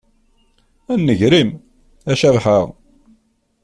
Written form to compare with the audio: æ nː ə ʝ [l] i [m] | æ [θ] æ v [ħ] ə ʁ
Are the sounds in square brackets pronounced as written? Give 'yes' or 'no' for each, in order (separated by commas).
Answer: no, yes, no, yes